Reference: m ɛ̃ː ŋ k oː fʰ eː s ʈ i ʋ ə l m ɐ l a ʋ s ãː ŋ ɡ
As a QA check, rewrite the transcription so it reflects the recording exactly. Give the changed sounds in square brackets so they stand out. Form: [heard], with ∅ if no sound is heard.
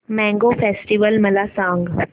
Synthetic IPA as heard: m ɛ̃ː ŋ [ɡ] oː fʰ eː s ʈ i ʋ ə l m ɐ l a [∅] s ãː ŋ ɡ